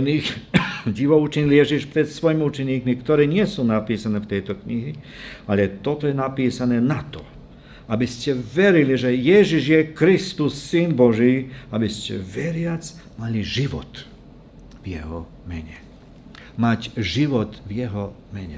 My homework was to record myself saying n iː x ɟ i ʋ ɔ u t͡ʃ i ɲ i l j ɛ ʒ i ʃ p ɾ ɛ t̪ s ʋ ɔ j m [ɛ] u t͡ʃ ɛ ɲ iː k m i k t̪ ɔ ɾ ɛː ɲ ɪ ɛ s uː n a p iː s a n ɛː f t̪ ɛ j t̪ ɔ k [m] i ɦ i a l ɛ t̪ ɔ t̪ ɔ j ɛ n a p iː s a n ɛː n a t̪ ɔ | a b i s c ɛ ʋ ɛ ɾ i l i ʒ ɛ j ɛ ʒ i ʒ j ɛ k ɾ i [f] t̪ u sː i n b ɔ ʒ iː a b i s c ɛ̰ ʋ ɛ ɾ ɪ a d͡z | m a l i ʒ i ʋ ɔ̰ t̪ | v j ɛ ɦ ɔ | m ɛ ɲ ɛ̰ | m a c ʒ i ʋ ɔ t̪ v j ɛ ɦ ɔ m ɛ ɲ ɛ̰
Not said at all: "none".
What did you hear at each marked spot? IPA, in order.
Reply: i, ɲ, s

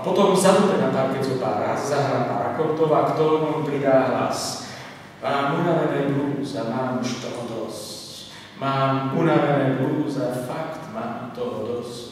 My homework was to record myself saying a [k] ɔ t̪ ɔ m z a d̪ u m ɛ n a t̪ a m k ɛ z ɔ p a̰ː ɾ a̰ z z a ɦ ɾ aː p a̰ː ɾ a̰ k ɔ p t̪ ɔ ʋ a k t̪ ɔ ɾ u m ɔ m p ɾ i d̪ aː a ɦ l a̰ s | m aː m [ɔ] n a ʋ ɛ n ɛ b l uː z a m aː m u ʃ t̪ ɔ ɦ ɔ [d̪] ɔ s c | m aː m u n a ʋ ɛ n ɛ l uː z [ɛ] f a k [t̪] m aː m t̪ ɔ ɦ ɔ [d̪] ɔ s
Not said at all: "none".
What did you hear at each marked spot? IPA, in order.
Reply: p, u, d̪, a, t̪, d̪

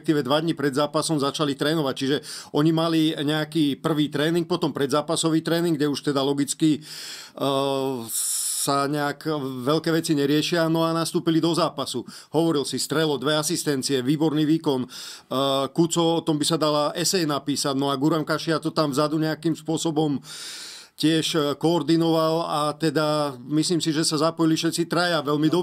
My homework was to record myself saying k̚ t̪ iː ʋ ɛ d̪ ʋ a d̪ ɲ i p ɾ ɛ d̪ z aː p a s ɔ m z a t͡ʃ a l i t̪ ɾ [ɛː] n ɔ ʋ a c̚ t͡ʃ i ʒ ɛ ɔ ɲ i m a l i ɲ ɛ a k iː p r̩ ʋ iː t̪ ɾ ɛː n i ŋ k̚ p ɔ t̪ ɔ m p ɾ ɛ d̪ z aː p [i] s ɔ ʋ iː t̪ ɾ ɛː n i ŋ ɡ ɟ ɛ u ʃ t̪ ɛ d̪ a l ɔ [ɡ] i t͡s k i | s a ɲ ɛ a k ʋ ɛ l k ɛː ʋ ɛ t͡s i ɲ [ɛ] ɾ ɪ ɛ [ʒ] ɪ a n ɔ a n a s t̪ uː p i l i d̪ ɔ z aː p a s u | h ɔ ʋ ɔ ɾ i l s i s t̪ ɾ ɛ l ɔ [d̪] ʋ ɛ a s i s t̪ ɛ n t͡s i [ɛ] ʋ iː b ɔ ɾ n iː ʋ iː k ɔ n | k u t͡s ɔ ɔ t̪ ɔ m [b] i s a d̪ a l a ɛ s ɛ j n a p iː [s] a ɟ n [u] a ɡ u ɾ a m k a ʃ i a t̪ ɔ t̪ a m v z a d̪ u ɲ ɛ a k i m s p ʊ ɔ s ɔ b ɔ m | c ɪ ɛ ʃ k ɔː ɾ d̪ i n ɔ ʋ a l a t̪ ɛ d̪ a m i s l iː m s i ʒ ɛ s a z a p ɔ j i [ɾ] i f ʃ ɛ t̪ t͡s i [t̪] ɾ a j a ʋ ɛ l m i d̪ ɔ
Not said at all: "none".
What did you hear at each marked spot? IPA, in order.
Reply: ɛː, a, ɡ, ɛ, ʃ, d̪, ɛ, b, s, ɔ, l, t̪

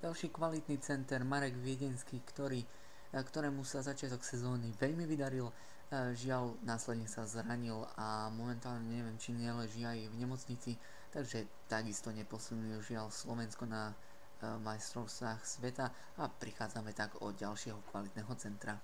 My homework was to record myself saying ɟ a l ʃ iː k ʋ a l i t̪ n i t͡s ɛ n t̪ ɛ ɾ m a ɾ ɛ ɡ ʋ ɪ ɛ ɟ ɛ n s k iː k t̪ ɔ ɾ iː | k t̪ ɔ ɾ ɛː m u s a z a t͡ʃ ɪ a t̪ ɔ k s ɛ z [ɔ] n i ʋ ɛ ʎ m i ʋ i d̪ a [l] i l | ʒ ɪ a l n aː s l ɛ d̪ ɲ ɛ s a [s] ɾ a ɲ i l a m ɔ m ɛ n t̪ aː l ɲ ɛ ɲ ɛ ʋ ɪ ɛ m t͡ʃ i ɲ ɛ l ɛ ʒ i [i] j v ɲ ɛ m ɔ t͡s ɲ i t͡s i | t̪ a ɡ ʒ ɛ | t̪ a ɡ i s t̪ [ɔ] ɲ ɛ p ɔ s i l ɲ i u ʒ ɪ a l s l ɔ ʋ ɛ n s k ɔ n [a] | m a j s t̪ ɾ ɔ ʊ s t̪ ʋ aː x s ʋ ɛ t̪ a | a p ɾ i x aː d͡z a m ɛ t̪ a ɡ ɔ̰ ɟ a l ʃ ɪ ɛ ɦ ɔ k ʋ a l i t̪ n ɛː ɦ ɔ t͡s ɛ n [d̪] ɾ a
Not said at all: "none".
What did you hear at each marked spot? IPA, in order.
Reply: ɔː, ɾ, z, a, ɔ, a, t̪

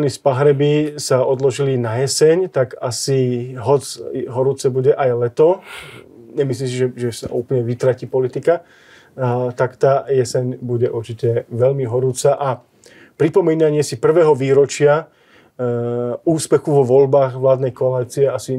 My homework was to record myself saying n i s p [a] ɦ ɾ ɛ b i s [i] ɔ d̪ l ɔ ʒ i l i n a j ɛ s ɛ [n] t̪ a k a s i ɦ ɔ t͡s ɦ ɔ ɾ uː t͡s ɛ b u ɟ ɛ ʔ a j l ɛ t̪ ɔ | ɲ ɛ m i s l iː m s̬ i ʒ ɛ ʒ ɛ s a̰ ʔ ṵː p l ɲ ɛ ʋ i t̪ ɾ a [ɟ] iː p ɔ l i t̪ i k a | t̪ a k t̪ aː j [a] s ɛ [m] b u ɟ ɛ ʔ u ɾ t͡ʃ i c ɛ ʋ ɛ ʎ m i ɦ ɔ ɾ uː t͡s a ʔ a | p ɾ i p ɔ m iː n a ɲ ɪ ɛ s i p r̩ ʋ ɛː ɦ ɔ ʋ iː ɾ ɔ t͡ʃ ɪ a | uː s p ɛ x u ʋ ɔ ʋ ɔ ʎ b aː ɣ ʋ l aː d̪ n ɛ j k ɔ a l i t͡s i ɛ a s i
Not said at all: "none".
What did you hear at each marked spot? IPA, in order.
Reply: a, a, ɲ, c, ɛ, ɲ

